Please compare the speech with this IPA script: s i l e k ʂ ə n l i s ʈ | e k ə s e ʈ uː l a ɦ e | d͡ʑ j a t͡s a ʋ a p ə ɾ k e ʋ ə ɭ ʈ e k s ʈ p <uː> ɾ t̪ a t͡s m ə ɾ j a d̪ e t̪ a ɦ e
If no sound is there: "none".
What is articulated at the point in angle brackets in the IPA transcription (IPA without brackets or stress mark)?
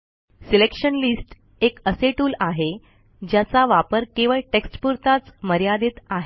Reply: u